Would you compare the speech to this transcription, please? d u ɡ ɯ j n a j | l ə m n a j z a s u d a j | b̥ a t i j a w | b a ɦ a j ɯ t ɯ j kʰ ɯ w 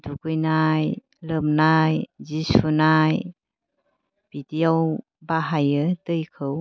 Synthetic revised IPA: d u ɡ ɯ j n a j | l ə m n a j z i s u n a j | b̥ i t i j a w | b a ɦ a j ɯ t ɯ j kʰ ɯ w

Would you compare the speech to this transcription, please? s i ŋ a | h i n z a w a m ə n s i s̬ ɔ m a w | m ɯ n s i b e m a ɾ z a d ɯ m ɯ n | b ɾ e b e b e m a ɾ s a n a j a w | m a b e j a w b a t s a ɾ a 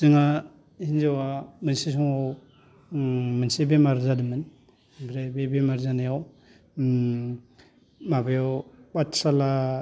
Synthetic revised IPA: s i ŋ a | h i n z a w a m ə n s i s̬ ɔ ŋ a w | m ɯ n s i b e m a ɾ z a d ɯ m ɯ n | b ɾ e b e b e m a ɾ z a n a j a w | m a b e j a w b a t s a l a

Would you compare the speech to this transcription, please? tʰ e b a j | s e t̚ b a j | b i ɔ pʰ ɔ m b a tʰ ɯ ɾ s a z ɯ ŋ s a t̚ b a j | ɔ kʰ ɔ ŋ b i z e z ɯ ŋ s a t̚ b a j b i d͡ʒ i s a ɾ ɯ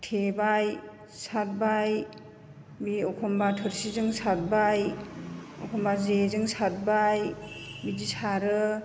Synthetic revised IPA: tʰ e b a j | s a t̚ b a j | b i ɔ kʰ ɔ m b a tʰ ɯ ɾ s i z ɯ ŋ s a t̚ b a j | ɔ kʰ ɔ m b a z e z ɯ ŋ s a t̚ b a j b i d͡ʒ i s a ɾ ɯ

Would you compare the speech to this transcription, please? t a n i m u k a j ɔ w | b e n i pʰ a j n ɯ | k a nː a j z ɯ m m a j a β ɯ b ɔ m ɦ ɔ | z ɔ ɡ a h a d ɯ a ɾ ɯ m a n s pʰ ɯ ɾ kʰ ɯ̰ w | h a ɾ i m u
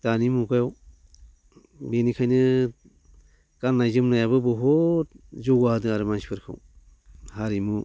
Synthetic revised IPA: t a n i m u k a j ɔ w | b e n i kʰ a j n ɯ | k a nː a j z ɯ m n a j a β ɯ b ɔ ɦ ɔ | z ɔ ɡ a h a d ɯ a ɾ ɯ m a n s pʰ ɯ ɾ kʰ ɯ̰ w | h a ɾ i m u

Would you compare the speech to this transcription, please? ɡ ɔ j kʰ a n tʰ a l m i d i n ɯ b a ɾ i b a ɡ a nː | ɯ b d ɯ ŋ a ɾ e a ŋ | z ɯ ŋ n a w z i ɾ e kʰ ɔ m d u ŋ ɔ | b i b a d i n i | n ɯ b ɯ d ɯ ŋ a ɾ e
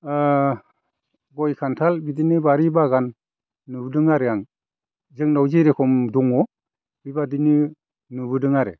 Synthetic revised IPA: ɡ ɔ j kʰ a n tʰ a l b i d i n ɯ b a ɾ i b a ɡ a nː | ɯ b d ɯ ŋ a ɾ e a ŋ | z ɯ ŋ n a w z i ɾ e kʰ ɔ m d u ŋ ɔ | b i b a d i n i | n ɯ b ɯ d ɯ ŋ a ɾ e

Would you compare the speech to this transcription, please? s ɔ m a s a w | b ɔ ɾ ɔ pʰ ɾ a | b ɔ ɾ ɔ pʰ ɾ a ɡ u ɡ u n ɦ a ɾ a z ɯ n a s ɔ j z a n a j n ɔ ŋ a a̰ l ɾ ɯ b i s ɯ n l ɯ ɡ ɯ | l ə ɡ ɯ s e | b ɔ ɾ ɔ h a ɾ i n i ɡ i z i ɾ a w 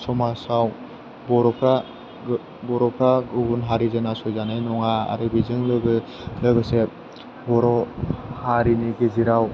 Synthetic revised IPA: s ɔ m a s a w | b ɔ ɾ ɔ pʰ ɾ a | b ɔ ɾ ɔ pʰ ɾ a ɡ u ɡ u n ɦ a ɾ i z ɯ n a s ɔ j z a n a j n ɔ ŋ a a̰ ɾ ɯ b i z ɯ ŋ l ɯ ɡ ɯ | l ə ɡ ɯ s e | b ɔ ɾ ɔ h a ɾ i n i ɡ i z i ɾ a w

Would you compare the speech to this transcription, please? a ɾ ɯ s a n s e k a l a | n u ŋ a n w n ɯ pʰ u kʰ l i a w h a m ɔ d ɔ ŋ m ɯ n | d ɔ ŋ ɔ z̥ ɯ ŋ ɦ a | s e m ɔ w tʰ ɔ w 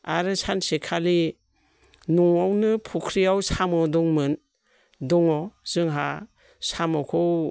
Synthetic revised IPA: a ɾ ɯ s a n s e kʰ a l i | n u ŋ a w n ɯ pʰ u kʰ ɾ i a w s a m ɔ d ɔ ŋ m ɯ n | d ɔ ŋ ɔ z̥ ɯ ŋ ɦ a | s a m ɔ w kʰ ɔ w

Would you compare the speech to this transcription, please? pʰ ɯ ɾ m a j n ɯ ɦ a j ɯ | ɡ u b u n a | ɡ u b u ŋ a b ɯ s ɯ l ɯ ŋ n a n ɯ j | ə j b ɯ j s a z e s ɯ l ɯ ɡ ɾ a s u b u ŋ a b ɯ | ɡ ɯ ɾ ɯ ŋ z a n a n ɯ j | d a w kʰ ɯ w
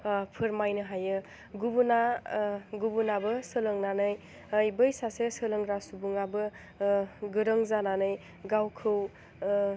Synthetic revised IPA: pʰ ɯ ɾ m a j n ɯ ɦ a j ɯ | ɡ u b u n a | ɡ u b u n a b ɯ s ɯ l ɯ ŋ n a n ɯ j | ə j b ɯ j s a s e s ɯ l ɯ ŋ ɾ a s u b u ŋ a b ɯ | ɡ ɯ ɾ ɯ ŋ z a n a n ɯ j | ɡ a w kʰ ɯ w

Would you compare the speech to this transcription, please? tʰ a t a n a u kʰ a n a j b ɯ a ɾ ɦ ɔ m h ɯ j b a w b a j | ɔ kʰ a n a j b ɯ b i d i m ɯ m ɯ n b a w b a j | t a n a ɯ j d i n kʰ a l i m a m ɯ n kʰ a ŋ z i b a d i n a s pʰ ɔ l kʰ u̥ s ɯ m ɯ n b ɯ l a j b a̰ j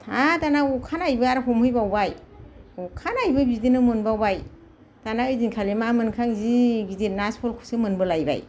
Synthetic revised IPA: tʰ a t a n a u kʰ a n a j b ɯ a ɾ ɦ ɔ m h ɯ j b a w b a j | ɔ kʰ a n a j b ɯ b i d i n ɯ m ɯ n b a w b a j | t a n a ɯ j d i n kʰ a l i m a m ɯ n kʰ a ŋ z i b i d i n a s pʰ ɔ l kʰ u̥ s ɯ m ɯ n b ɯ l a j b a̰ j

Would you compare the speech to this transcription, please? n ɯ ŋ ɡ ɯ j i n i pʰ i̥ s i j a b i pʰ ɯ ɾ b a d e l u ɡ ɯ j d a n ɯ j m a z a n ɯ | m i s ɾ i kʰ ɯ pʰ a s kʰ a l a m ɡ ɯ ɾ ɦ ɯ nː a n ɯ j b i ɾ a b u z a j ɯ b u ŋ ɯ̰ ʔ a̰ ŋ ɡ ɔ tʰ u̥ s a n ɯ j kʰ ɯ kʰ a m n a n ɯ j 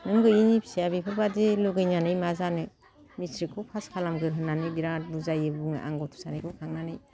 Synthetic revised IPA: n ɯ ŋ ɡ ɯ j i n i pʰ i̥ s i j a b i pʰ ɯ ɾ b a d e l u ɡ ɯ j n a n ɯ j m a z a n ɯ | m i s ɾ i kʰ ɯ pʰ a s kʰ a l a m ɡ ɯ ɾ ɦ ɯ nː a n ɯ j b i ɾ a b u z a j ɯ b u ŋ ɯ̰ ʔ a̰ ŋ ɡ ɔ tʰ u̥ s a n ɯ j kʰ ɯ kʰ a ŋ n a n ɯ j

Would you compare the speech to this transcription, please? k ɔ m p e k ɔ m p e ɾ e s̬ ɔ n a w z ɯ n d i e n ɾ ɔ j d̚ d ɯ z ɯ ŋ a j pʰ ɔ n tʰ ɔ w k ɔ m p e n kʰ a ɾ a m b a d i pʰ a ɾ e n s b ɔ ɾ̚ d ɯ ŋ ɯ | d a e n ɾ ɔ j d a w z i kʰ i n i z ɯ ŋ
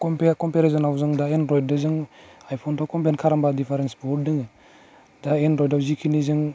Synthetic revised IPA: k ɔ m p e k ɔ m p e ɾ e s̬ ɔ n a w z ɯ ŋ d a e n ɾ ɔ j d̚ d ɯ z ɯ ŋ a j pʰ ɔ n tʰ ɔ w k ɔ m p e n kʰ a ɾ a m b a d i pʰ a ɾ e n s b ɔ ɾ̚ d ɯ ŋ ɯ | d a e n ɾ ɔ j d a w z i kʰ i n i z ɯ ŋ

